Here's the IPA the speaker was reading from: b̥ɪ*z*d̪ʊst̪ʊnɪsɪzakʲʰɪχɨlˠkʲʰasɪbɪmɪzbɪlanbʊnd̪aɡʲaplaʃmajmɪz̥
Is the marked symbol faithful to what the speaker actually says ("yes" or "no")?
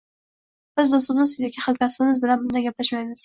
yes